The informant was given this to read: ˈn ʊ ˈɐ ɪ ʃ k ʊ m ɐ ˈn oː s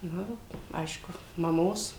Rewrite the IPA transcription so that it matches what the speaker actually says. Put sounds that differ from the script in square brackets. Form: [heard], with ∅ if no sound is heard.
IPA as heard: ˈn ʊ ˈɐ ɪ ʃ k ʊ m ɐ [ˈm] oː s